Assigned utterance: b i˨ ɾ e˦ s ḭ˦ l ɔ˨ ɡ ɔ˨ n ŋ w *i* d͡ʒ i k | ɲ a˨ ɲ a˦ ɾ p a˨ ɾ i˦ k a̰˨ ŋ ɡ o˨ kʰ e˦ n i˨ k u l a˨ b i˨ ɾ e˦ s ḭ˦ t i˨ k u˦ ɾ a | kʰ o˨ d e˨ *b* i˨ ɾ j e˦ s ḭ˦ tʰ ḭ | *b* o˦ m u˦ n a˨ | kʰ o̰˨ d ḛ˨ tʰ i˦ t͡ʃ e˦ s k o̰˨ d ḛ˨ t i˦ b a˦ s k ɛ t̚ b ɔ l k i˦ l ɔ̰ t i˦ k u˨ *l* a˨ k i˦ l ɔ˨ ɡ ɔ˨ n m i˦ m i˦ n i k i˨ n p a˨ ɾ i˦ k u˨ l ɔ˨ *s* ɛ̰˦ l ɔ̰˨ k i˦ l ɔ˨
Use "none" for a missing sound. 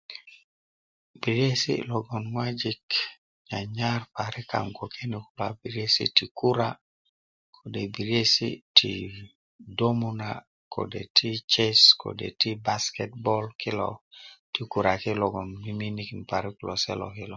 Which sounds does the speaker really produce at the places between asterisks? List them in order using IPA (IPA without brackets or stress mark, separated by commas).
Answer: a, b, d, ɾ, s